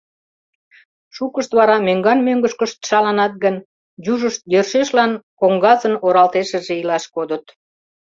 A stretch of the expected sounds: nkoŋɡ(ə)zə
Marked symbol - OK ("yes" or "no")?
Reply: no